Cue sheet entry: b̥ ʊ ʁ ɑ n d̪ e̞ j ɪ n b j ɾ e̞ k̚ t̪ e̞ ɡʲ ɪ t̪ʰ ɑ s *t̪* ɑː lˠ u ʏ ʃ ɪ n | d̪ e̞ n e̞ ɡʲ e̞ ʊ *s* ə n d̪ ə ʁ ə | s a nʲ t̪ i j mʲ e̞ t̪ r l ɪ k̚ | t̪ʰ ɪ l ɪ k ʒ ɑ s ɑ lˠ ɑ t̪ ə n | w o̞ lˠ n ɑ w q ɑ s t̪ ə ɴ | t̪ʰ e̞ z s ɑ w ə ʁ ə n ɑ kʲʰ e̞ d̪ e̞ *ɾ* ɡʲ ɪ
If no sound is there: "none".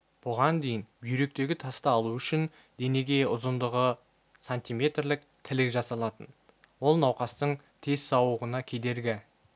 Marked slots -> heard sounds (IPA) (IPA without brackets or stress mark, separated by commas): t̪, z, ɾ